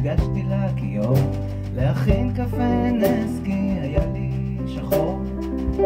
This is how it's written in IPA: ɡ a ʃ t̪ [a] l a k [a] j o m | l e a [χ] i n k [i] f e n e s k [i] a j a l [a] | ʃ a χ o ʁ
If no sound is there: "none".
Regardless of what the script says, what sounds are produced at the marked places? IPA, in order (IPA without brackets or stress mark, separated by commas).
i, i, χ, a, i, i